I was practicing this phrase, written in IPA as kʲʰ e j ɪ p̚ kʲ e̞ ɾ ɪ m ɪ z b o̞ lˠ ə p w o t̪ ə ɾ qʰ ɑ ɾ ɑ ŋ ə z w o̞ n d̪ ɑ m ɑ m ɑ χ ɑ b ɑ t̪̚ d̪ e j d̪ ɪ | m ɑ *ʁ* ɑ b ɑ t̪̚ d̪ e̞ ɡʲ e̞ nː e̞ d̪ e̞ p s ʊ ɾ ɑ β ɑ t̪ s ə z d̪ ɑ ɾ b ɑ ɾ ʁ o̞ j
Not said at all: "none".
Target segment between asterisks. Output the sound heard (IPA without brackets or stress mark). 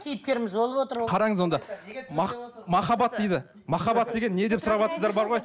χ